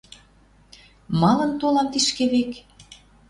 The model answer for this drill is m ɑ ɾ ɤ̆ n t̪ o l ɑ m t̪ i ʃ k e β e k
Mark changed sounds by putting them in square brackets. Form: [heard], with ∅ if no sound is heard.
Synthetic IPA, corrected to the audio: m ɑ [l] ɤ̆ n t̪ o l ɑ m t̪ i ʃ k e β e k